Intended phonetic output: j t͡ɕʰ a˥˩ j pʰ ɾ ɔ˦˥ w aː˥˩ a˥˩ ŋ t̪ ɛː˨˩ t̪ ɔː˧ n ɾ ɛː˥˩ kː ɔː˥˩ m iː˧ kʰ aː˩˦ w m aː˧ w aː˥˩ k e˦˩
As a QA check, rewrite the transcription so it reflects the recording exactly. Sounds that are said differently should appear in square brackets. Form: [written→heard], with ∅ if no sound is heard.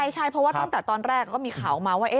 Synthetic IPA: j t͡ɕʰ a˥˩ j pʰ ɾ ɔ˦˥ w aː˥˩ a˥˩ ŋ t̪ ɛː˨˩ t̪ ɔː˧ n ɾ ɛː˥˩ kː ɔː˥˩ m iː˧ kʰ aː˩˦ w m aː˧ w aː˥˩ [k→ʔ] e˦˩